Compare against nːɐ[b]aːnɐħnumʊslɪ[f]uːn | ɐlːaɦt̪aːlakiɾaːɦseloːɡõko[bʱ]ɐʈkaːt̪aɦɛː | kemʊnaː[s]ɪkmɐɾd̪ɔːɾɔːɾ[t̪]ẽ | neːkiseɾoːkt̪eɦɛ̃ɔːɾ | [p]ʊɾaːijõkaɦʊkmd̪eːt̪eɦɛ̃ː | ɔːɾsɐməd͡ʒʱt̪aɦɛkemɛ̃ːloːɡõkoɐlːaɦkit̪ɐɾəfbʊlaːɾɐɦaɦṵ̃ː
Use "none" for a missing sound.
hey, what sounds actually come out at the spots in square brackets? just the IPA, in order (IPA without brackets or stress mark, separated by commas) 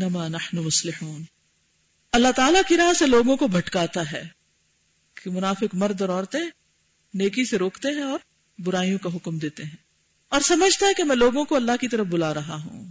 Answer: m, ħ, bʱ, f, t̪, b